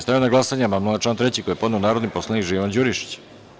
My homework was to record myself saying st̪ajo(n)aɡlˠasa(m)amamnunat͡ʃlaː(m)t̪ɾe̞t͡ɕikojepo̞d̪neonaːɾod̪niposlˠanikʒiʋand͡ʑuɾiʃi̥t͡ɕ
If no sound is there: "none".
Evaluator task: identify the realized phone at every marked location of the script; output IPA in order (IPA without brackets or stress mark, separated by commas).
n, ɲ, n